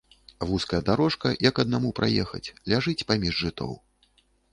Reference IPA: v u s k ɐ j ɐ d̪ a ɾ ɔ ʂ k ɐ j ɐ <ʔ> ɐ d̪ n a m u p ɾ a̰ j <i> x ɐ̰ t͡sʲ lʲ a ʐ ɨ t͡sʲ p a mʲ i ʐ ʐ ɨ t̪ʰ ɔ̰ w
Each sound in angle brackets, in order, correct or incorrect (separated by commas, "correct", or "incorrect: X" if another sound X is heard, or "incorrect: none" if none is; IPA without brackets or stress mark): incorrect: k, incorrect: ɛ